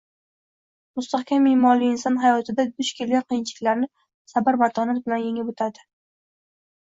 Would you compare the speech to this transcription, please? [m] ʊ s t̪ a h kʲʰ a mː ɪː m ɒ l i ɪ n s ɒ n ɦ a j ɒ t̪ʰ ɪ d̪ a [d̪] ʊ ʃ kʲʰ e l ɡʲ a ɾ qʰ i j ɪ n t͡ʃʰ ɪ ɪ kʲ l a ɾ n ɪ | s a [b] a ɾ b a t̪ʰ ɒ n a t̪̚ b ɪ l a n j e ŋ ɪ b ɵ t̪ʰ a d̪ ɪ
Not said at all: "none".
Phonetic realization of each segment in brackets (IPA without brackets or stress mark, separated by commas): m, d̪, b